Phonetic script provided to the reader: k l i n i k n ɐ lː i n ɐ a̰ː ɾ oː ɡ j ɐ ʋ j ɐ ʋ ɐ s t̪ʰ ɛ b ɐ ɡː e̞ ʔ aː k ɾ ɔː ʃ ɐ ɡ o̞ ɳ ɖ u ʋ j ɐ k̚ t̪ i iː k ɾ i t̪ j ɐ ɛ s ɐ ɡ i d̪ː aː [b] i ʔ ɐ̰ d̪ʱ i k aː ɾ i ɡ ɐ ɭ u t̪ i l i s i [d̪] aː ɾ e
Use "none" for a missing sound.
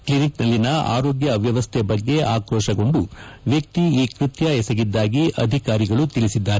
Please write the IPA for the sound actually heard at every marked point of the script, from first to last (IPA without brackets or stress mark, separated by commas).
ɡ, d̪ː